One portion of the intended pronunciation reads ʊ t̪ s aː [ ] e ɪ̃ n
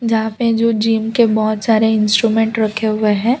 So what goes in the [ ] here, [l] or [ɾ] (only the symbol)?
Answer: ɾ